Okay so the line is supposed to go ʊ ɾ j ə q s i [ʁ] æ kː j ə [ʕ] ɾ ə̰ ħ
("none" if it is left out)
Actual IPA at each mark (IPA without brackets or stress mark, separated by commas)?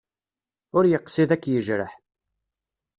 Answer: ð, ʒ